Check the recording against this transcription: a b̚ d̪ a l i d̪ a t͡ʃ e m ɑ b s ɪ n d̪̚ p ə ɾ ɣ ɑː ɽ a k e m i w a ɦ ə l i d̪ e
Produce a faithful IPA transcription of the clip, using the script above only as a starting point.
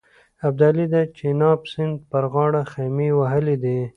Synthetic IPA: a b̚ d̪ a l i d̪ a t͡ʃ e n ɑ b s ɪ n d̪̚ p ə ɾ ɣ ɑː ɽ a x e m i w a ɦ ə l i d̪ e